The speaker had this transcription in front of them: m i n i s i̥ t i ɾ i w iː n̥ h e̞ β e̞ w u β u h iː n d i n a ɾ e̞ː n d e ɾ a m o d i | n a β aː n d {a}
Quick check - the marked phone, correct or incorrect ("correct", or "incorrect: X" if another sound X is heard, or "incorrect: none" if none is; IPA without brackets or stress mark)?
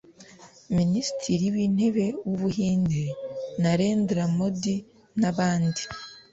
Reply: incorrect: i